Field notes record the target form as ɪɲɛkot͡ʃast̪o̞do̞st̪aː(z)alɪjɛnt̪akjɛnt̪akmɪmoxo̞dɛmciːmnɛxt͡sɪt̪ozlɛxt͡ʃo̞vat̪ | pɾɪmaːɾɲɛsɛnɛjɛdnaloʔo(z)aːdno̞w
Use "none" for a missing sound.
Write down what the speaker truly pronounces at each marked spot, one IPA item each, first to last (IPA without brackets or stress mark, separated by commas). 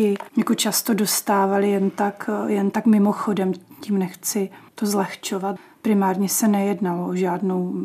v, ʒ